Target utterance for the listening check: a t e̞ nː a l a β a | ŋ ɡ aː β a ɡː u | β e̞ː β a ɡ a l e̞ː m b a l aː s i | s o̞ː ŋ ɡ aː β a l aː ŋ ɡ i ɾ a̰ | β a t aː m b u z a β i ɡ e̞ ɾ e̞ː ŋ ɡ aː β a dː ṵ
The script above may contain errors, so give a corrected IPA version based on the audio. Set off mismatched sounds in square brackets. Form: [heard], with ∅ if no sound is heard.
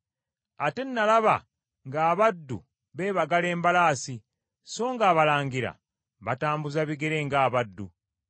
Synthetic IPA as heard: a t e̞ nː a l a β a | ŋ ɡ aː β a [dː] u | β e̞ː β a ɡ a l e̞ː m b a l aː s i | s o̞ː ŋ ɡ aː β a l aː ŋ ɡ i ɾ a̰ | β a t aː m b u z a β i ɡ e̞ ɾ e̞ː ŋ ɡ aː β a dː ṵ